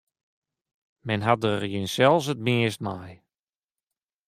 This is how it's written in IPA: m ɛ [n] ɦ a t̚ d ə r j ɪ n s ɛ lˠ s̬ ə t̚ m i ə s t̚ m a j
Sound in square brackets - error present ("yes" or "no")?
no